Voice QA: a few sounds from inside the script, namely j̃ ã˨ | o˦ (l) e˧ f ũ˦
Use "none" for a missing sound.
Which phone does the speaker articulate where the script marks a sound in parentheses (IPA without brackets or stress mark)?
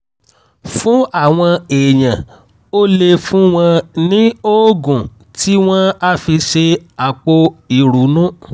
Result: l